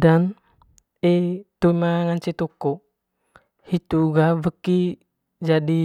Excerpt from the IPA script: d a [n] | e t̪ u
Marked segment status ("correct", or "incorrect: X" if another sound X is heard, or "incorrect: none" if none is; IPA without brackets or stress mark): correct